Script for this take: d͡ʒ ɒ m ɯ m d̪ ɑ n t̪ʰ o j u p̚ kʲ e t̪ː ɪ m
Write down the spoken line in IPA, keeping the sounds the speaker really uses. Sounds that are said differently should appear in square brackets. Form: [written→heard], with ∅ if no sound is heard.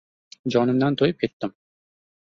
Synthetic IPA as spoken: d͡ʒ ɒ [m→n] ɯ m d̪ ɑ n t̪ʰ o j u p̚ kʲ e t̪ː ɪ m